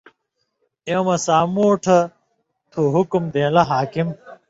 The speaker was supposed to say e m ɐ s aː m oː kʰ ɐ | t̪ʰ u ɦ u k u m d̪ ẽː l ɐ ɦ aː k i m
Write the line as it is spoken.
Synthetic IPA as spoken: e m ɐ s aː m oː ʈʰ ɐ | t̪ʰ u ɦ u k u m d̪ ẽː l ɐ ɦ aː k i m